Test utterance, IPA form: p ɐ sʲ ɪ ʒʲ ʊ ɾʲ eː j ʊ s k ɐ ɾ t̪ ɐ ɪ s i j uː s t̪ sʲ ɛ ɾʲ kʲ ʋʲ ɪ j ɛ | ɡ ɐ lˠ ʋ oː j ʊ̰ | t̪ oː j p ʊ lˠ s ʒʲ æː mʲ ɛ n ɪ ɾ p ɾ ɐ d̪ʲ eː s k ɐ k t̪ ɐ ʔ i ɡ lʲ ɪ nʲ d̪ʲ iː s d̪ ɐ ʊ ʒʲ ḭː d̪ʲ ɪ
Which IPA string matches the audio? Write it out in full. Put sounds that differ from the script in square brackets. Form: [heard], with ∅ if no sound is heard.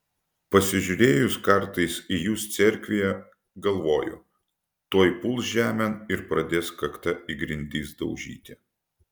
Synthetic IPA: p ɐ sʲ ɪ ʒʲ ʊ ɾʲ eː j ʊ s k ɐ ɾ t̪ ɐ ɪ s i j uː s t̪ sʲ ɛ ɾʲ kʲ ʋʲ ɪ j ɛ | ɡ ɐ lˠ ʋ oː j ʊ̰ | t̪ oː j p ʊ lˠ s ʒʲ æː mʲ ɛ n ɪ ɾ p ɾ ɐ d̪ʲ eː s k ɐ k t̪ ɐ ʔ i ɡ [ɾʲ] ɪ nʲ d̪ʲ iː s d̪ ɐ ʊ ʒʲ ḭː [t̪ʲ] ɪ